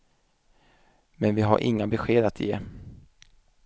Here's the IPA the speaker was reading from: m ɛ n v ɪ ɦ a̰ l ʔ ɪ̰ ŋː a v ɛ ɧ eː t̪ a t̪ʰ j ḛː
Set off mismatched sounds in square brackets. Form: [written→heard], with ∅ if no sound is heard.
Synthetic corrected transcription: m ɛ n v ɪ ɦ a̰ [l→ɾ] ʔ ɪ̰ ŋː a [v→b] ɛ ɧ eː [t̪→d̪] a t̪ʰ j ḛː